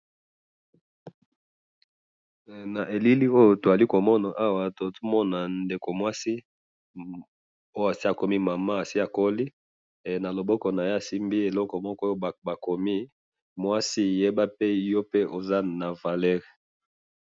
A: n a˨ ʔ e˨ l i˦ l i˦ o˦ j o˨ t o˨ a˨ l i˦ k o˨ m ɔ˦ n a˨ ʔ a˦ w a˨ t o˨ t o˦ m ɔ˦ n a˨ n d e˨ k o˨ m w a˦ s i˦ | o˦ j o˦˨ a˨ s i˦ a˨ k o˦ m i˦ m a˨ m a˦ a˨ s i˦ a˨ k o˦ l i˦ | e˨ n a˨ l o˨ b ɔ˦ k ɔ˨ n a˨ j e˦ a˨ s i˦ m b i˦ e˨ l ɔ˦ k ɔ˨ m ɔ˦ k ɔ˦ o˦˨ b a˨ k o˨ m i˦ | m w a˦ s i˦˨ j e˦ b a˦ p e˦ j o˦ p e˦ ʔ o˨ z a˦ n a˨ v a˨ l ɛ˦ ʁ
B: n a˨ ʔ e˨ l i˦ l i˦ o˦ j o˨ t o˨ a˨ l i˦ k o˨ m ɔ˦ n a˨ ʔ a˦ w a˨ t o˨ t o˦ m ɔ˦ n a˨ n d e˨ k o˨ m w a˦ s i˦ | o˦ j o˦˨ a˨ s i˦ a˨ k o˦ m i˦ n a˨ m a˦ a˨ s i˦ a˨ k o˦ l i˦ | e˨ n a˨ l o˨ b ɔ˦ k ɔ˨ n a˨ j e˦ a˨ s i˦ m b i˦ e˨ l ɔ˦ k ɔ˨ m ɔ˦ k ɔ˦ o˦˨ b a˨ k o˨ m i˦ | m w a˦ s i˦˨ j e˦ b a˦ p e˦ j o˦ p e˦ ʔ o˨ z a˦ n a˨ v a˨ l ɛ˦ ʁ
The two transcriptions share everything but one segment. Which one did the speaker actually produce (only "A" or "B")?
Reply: A